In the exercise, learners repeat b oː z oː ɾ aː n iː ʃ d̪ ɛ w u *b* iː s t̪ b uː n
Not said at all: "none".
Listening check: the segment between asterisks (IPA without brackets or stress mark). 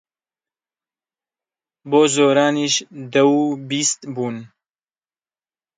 b